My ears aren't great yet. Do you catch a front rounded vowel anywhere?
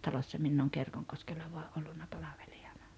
no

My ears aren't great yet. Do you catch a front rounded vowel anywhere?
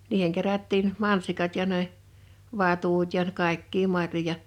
no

